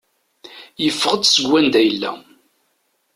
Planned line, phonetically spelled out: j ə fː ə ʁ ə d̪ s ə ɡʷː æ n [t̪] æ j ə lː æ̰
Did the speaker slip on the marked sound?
yes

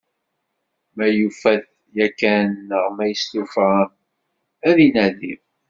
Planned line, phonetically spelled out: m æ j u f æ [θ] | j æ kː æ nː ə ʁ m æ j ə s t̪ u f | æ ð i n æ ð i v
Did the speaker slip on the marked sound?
no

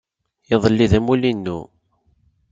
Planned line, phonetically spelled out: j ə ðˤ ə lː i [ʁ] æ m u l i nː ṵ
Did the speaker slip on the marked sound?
yes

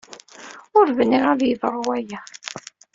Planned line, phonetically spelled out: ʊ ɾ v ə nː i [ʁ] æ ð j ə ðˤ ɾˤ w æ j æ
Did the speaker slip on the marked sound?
no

